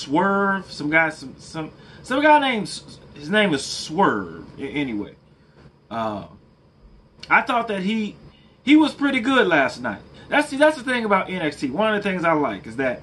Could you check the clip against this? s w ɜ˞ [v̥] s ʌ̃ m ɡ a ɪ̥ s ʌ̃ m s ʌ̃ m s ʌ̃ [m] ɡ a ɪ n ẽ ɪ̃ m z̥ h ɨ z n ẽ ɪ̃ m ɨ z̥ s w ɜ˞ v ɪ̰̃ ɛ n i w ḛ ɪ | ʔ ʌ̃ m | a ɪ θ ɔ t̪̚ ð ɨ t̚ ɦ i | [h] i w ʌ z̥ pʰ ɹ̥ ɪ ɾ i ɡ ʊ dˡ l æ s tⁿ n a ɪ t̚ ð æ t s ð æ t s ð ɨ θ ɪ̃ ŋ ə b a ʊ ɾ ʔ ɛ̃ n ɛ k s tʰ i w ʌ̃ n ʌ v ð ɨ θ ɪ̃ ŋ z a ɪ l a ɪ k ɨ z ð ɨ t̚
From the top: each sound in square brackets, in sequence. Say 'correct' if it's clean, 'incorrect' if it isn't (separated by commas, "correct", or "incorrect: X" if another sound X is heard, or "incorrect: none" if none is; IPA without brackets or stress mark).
correct, correct, correct